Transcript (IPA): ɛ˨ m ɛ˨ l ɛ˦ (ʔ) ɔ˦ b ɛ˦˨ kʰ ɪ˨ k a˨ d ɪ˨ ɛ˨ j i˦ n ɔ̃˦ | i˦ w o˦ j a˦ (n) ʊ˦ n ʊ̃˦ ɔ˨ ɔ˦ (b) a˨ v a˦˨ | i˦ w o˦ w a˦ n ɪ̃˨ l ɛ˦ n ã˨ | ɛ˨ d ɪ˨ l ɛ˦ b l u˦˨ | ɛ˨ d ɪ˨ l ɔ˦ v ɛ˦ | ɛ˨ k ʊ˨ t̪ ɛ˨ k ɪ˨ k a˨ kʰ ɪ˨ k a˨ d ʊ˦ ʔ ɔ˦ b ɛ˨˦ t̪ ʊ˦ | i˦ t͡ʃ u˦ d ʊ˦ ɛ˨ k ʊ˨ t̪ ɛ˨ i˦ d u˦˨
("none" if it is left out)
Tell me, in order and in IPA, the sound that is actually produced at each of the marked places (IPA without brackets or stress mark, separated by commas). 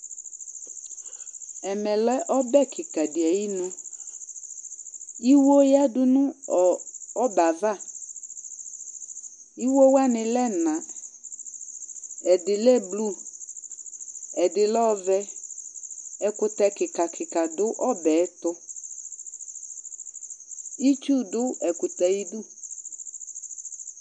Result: ʔ, d, b